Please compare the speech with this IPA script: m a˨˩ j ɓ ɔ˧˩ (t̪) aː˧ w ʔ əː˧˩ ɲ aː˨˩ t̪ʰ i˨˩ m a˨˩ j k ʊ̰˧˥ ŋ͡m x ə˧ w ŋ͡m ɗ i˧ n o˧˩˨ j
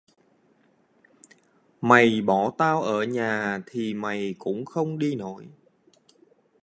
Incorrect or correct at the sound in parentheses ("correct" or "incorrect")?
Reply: correct